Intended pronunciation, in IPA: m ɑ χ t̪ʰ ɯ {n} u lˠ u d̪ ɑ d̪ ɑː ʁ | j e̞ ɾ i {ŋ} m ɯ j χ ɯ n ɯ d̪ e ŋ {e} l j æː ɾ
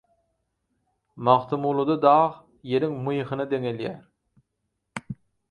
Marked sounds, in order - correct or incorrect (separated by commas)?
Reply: incorrect, correct, correct